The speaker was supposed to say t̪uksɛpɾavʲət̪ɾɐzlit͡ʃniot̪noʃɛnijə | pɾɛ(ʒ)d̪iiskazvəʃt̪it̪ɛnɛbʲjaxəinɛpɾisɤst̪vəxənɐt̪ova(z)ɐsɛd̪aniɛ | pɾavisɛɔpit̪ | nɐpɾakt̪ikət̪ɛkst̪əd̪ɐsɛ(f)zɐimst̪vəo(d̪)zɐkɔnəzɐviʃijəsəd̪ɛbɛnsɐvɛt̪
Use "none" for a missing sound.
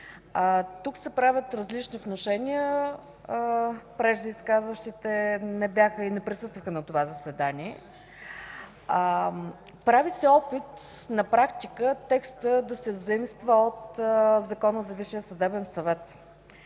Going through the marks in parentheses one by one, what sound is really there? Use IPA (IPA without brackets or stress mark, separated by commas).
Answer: ʒ, z, v, t̪